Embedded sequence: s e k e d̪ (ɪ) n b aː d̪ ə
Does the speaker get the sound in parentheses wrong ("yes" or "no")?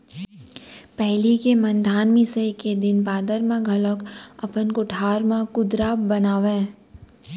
no